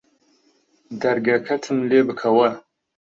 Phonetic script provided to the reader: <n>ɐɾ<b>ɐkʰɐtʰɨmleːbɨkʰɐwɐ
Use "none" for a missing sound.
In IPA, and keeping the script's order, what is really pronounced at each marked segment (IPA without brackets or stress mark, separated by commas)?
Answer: d, ɡ